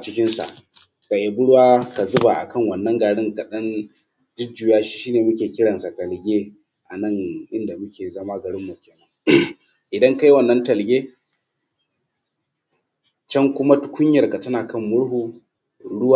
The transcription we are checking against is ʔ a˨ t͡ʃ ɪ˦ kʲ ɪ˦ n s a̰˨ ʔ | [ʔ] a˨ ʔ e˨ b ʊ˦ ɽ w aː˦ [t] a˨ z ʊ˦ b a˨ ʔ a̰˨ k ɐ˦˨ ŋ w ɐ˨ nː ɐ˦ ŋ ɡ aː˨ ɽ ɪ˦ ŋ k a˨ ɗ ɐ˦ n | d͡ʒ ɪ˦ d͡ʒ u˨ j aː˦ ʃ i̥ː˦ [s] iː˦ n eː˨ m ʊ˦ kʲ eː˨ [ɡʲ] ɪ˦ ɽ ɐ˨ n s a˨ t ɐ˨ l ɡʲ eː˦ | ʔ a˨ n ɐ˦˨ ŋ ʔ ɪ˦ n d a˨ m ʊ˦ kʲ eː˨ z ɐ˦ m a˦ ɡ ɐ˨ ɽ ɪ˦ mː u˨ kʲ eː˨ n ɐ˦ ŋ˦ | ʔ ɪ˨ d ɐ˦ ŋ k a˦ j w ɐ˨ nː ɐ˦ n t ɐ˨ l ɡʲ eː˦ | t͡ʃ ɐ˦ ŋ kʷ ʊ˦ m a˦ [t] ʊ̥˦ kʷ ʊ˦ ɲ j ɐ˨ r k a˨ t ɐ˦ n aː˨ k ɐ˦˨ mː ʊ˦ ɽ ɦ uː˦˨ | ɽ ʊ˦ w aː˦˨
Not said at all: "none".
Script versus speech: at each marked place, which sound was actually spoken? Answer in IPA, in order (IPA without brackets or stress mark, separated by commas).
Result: k, k, ʃ, kʲ, t